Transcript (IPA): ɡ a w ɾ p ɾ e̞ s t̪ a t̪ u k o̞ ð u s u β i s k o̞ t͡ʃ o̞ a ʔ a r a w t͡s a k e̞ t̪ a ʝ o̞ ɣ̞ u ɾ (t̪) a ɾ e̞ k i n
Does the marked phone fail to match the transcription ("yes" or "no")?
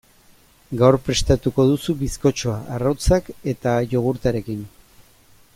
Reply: no